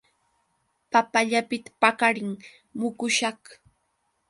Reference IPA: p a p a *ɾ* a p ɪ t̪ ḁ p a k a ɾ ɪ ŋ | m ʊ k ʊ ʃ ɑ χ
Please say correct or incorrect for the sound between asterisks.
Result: incorrect